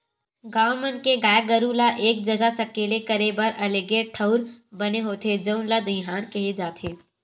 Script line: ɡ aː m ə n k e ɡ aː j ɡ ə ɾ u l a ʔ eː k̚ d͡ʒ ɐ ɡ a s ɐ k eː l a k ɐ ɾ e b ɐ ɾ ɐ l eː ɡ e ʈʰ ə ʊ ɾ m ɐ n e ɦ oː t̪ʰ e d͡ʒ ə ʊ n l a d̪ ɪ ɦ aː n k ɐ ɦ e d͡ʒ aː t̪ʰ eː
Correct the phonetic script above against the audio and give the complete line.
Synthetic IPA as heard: ɡ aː m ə n k e ɡ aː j ɡ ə ɾ u l a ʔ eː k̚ d͡ʒ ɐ ɡ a s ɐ k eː l e k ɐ ɾ e b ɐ ɾ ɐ l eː ɡ e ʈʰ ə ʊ ɾ b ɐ n e ɦ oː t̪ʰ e d͡ʒ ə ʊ n l a d̪ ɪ ɦ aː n k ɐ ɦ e d͡ʒ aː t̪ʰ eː